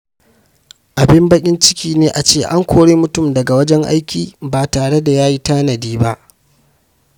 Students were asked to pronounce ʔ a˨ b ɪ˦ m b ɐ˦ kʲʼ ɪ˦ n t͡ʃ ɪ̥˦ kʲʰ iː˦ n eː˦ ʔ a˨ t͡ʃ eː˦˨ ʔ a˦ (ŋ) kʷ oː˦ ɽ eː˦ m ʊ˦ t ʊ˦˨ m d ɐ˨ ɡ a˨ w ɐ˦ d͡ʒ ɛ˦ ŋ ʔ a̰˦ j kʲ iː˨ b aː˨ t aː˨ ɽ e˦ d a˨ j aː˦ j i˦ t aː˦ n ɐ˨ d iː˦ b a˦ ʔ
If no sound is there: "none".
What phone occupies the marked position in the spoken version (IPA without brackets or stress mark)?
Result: ŋ